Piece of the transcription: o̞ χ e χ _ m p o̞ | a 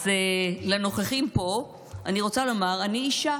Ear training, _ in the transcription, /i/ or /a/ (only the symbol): i